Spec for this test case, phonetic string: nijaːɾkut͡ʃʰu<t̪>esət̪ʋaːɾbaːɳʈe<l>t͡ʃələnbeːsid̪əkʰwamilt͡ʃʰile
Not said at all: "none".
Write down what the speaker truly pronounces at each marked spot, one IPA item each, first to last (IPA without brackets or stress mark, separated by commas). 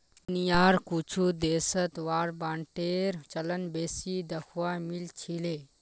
d̪, ɾ